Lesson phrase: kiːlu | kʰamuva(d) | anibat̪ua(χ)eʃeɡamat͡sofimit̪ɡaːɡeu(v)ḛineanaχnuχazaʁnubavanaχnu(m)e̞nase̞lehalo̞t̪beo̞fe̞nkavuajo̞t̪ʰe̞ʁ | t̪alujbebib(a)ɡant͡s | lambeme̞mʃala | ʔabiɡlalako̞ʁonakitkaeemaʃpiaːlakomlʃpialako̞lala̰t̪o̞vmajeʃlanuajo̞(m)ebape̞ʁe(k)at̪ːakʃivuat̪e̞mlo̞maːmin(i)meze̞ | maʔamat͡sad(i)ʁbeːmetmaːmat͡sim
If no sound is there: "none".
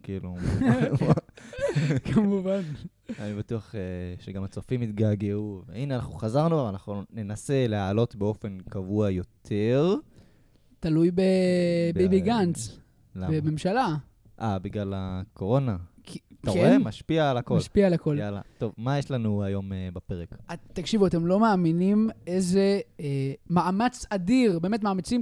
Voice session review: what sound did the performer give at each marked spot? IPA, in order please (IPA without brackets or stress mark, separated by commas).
n, χ, v, n, i, m, k, i, i